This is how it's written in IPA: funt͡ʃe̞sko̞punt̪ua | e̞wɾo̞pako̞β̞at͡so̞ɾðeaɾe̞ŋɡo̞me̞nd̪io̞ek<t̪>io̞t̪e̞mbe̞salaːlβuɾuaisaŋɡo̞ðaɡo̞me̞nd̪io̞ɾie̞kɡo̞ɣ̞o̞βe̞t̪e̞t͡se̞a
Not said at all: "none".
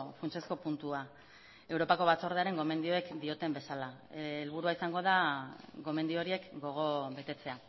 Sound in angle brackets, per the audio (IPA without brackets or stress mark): d̪